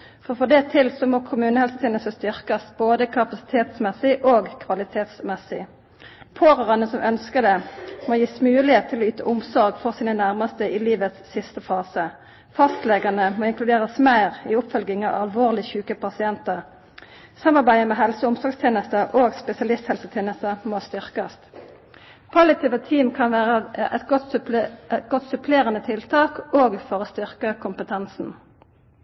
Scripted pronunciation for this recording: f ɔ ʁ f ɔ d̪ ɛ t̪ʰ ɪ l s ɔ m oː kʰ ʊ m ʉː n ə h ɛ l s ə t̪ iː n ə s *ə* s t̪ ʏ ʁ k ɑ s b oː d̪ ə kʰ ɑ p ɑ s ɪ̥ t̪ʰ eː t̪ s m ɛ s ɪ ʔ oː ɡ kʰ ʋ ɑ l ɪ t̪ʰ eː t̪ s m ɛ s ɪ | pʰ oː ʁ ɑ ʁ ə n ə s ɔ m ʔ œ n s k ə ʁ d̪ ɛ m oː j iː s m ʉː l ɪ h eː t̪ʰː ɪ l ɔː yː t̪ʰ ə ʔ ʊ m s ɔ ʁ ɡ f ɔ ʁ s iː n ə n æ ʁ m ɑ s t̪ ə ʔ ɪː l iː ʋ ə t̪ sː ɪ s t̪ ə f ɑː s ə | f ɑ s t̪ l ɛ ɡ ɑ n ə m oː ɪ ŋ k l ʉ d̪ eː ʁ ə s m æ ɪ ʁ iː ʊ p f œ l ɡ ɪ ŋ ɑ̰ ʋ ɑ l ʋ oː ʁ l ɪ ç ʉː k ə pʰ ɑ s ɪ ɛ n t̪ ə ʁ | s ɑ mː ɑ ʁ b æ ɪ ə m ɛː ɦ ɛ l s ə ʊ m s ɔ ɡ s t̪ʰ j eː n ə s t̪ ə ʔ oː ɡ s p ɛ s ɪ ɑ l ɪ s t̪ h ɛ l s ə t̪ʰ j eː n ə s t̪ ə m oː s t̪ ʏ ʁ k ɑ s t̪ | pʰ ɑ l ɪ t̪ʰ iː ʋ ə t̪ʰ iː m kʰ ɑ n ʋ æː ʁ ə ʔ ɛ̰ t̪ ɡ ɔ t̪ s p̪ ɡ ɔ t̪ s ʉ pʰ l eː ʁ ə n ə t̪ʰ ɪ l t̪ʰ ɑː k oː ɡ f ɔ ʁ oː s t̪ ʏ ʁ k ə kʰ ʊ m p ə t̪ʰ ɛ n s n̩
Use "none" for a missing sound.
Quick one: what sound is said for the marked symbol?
ə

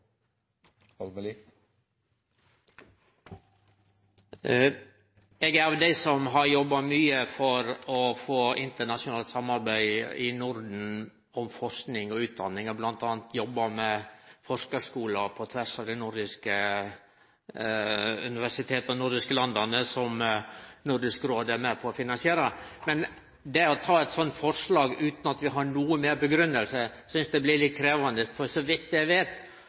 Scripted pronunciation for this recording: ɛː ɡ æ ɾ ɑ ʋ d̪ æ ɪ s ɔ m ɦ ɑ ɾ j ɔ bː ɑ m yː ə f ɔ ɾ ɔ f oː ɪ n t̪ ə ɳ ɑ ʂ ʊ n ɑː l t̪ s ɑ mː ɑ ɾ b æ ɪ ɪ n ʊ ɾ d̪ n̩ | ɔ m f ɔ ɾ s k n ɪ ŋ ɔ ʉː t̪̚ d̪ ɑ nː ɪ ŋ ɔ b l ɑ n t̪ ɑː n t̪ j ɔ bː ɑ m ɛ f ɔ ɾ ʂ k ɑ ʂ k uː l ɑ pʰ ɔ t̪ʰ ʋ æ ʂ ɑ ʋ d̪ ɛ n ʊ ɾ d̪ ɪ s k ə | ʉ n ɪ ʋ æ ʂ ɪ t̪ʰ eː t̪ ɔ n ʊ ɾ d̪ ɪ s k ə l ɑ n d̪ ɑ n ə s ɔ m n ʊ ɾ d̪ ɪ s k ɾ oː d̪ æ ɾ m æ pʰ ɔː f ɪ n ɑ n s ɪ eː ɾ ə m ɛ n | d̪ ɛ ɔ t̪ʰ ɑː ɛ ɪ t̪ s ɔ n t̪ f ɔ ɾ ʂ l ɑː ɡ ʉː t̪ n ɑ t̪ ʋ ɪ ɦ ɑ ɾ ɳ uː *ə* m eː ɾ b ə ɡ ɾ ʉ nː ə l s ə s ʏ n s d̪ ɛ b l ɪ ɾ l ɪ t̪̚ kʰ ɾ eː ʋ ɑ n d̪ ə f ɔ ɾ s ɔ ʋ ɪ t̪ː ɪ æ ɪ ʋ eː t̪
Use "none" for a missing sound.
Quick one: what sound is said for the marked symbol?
ə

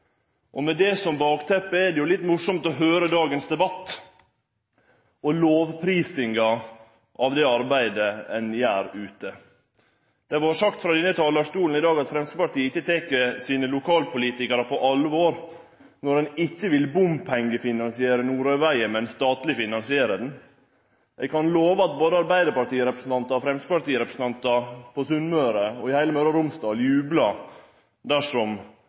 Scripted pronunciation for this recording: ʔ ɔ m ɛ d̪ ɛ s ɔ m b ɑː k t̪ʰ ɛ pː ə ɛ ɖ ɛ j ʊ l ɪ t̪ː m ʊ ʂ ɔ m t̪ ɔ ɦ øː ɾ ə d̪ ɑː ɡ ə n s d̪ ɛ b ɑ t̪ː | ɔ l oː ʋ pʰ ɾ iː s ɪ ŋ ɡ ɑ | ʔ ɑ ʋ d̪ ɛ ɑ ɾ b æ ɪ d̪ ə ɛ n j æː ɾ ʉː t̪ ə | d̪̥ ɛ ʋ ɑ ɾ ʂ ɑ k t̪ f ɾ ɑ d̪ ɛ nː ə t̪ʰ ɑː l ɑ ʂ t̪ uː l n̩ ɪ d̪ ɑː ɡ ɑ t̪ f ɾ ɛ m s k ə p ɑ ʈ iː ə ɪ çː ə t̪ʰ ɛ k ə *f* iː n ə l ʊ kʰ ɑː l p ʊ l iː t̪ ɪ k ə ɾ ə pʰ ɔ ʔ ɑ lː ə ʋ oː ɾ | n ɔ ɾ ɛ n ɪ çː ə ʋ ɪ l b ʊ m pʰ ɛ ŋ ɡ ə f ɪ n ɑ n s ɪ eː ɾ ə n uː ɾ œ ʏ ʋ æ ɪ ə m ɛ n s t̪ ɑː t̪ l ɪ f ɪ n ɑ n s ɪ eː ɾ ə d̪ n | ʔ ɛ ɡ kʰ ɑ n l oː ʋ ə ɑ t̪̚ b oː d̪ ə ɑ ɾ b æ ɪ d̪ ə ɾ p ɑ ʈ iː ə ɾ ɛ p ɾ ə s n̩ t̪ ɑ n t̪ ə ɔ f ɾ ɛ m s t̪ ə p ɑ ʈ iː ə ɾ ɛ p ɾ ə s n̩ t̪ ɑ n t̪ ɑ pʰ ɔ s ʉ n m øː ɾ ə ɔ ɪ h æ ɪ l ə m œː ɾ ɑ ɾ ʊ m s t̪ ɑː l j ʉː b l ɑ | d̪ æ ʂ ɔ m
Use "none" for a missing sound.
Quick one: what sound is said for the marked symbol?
s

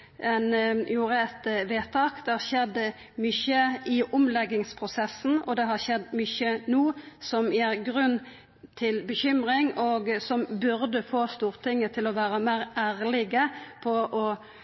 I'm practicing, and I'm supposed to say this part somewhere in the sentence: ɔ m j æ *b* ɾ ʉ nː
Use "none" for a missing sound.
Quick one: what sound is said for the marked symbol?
ɡ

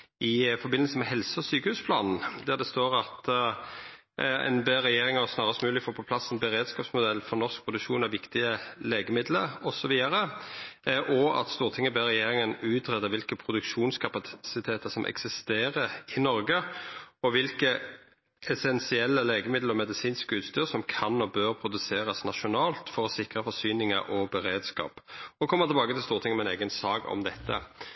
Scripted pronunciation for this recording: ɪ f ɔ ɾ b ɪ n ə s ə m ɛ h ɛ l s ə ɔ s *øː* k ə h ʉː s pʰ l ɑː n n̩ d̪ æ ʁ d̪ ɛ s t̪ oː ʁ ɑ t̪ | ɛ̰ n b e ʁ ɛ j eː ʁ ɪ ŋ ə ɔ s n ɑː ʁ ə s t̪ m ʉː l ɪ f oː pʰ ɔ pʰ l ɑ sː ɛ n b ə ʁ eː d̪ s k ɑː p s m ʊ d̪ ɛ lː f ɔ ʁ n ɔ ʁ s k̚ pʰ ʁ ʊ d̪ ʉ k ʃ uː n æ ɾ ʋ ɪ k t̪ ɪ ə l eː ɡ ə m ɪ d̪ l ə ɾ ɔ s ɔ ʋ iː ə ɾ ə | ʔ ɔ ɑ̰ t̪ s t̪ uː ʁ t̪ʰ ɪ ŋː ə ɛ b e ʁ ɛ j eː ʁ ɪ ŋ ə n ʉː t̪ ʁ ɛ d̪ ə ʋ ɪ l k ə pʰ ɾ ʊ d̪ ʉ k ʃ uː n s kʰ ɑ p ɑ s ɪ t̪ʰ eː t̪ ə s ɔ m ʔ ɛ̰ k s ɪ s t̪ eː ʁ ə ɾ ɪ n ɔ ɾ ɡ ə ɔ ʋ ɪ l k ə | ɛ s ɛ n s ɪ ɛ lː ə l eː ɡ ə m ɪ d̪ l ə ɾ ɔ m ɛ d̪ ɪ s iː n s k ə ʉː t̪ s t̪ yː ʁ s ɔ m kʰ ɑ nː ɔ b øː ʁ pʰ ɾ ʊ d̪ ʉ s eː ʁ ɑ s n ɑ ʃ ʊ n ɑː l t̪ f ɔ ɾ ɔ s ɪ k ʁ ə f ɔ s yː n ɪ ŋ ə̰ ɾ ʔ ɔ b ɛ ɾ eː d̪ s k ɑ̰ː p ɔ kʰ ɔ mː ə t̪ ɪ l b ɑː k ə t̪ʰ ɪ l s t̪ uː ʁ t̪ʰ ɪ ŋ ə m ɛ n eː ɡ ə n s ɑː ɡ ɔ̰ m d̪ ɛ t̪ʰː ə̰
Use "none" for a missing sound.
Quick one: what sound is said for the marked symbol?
yː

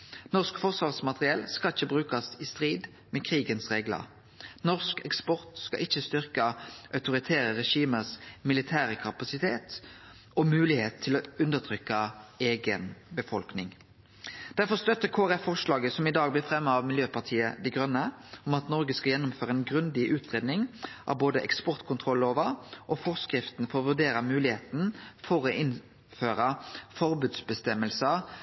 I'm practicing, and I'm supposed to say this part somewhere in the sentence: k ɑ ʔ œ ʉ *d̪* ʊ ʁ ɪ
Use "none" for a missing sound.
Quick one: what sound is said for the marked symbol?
t̪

